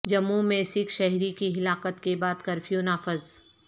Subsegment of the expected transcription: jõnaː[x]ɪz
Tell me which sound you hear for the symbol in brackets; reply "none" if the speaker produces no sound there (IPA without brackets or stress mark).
f